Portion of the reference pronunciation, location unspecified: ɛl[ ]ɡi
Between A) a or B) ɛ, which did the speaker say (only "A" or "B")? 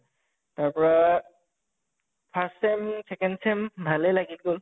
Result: A